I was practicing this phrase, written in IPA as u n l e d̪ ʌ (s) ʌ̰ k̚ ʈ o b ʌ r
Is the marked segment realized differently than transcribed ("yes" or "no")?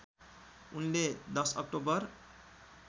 no